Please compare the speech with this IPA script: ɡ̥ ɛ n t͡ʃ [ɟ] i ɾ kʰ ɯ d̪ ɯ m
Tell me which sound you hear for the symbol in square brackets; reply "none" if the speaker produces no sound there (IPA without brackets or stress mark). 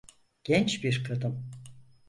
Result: b